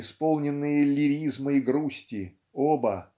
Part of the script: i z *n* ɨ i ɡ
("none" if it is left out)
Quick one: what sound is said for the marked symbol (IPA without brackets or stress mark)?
m